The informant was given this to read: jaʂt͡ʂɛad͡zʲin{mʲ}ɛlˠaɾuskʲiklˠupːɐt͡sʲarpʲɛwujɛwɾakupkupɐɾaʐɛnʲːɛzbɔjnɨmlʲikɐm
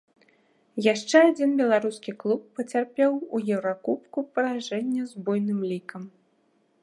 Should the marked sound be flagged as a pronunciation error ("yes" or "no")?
yes